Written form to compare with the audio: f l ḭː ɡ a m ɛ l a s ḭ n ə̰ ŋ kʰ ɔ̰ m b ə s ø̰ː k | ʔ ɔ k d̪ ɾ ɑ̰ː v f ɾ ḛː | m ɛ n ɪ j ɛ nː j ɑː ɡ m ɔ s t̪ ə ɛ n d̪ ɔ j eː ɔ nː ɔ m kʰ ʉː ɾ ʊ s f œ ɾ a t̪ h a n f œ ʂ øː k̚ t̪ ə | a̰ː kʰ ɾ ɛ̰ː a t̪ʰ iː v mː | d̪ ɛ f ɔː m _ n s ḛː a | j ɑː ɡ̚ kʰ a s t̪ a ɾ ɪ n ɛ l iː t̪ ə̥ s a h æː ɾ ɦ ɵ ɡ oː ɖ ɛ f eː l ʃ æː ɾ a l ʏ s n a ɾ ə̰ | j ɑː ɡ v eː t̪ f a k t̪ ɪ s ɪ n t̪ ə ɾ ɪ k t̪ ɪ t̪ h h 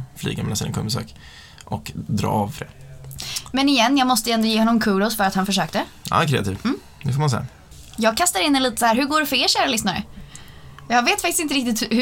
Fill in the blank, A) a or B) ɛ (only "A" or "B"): A